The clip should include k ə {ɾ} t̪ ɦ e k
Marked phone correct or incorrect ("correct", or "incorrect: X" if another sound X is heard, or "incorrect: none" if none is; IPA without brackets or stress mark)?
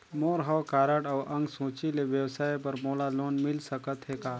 incorrect: none